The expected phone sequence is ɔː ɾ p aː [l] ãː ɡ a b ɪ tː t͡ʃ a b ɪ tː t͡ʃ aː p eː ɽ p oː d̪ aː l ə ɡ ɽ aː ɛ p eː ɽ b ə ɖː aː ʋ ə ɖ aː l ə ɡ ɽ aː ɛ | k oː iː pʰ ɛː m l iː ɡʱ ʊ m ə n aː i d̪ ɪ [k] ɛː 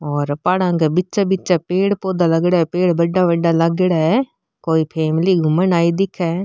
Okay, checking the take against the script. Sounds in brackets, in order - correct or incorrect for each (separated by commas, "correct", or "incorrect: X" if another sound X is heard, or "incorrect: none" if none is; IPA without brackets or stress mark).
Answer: incorrect: ɽ, incorrect: kʰ